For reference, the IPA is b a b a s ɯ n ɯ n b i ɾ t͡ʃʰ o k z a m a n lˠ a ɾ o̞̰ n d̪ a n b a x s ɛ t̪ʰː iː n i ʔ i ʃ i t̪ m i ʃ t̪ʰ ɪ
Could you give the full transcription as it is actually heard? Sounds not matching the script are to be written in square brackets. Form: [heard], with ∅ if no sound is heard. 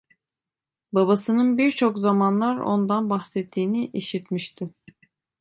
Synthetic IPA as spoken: b a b a s ɯ n ɯ n b i ɾ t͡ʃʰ o k z a m a n lˠ a ɾ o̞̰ n d̪ a n b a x s ɛ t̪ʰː iː n i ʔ i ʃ i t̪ m i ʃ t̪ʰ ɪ